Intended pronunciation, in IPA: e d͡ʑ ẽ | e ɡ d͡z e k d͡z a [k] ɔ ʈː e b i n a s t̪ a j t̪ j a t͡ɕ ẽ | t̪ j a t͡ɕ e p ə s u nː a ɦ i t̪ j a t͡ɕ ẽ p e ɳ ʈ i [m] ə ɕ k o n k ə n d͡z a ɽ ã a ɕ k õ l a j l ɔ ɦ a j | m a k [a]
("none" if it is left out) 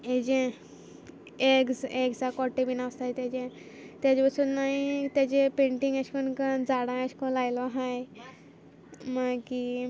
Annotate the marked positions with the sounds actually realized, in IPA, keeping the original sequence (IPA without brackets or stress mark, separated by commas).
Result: k, ŋ, i